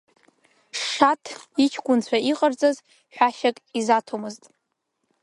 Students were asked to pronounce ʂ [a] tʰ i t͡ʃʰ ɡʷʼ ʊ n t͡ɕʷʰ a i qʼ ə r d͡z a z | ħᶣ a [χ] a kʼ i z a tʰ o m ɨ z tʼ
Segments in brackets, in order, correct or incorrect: correct, incorrect

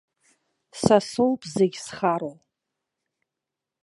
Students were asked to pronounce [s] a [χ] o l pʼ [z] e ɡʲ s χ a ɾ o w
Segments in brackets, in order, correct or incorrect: correct, incorrect, correct

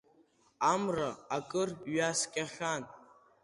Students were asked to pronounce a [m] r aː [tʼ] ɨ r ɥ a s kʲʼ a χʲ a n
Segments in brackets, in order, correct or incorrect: correct, incorrect

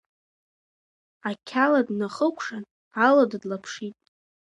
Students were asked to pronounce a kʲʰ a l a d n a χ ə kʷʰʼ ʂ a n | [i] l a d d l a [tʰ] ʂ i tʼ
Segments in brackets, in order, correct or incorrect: incorrect, incorrect

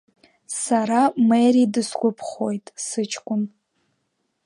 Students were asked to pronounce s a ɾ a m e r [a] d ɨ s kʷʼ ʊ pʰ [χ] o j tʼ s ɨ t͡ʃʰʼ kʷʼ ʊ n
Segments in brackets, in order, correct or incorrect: incorrect, correct

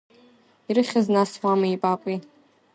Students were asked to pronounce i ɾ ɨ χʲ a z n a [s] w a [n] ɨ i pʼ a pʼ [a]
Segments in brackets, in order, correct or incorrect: correct, incorrect, incorrect

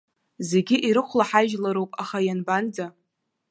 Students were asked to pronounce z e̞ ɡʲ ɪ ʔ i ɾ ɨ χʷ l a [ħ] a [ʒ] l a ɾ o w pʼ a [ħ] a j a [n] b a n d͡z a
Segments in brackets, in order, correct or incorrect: correct, correct, incorrect, correct

